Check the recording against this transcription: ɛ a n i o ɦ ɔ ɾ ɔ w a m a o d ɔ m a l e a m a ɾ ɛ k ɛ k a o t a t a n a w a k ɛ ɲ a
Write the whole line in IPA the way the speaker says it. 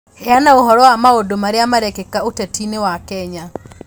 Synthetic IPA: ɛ a n a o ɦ ɔ ɾ ɔ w a m a o d o m a ɾ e a m a ɾ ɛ k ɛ k a o t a t i n e w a k ɛ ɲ a

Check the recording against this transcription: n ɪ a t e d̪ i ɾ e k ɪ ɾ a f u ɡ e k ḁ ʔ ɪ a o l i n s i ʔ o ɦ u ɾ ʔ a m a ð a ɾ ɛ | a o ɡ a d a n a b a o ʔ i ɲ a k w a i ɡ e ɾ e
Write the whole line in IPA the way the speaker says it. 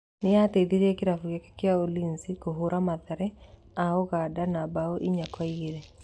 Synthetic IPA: n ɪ a t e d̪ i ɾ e k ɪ ɾ a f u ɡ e k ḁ k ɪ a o l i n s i k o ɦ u ɾ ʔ a m a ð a ɾ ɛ | a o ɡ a d a n a b a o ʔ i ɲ a k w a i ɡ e ɾ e

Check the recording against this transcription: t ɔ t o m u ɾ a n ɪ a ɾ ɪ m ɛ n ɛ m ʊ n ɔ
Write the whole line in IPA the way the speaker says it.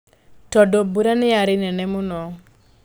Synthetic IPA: t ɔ d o b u ɾ a n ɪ a ɾ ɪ n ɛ n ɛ m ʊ n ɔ

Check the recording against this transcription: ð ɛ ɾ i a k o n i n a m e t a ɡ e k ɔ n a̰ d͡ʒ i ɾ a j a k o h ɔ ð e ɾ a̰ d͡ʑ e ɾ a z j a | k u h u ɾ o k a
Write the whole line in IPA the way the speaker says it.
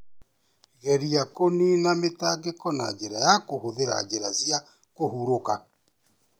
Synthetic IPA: ɣ ɛ ɾ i a k o n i n a m e t a ɡ e k ɔ n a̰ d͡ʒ e ɾ a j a k o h o ð e ɾ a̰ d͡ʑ e ɾ a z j a | k o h u ɾ o k a

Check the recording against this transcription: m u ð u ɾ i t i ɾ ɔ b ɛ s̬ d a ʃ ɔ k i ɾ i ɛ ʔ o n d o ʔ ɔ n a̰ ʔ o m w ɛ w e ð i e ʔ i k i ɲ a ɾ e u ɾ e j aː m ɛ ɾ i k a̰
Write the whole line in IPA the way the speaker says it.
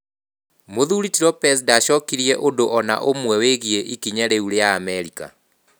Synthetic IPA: m o ð u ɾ i t i ɾ ɔ p ɛ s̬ d a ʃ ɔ k i ɾ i ɛ ʔ o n d o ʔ ɔ n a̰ ʔ o m w ɛ w e ɣ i e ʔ i k i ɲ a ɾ e u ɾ e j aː m ɛ ɾ i k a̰

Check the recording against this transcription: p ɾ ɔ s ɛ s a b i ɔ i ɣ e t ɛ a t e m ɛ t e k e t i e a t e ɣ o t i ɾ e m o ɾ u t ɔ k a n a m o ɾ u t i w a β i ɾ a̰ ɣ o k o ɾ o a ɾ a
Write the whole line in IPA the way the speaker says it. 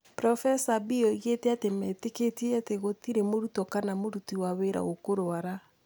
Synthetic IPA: p ɾ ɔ f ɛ s a b i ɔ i ɣ e t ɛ a t e m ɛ t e k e t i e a t e ɣ o t i ɾ e m o ɾ u t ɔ k a n a m o ɾ u t i w a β e ɾ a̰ ɣ o k o ɾ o a ɾ a

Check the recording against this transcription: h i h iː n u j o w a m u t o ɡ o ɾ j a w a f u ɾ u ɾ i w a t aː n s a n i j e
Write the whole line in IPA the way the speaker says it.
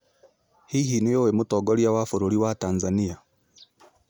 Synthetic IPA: h i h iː n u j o w e m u t o ɡ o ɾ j a w a f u ɾ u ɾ i w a t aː n z a n i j a

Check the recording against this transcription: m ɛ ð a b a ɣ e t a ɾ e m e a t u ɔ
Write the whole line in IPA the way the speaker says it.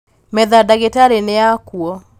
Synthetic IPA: m ɛ ð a d a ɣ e t a ɾ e n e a k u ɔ

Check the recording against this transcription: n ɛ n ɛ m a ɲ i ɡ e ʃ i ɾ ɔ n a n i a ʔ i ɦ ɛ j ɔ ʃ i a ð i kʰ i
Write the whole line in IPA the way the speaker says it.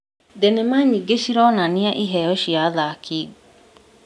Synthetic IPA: d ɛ n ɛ m a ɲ i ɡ e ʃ i ɾ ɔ n a n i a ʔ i ɦ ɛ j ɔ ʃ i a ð a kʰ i

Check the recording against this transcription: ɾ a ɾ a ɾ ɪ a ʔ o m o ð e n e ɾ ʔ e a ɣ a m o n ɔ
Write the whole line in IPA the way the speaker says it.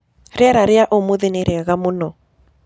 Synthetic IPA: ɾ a ɾ a ɾ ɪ a ʔ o m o ð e n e ɾ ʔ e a ɣ a m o n ɔ

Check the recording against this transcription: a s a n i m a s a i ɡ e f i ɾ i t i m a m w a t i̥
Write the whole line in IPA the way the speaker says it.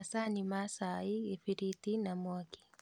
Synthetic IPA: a s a n i m a s a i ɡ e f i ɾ i t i n a m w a k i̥

